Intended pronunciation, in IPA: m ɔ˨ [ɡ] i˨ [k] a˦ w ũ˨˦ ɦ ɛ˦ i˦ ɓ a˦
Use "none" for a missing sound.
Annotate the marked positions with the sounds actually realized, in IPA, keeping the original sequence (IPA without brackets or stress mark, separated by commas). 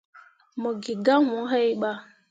ɡ, ɡ